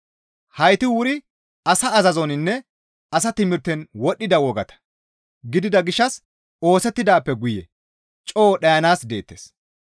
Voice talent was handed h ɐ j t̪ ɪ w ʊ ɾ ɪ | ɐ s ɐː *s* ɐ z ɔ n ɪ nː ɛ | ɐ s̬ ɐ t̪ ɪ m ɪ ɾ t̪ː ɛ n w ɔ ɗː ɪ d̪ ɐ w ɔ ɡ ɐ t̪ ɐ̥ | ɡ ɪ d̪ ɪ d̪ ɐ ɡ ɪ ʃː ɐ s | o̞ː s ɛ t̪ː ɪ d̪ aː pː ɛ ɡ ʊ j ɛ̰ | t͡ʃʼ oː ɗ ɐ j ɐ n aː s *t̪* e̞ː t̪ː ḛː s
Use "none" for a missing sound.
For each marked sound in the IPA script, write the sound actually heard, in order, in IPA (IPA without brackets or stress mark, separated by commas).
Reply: z, d̪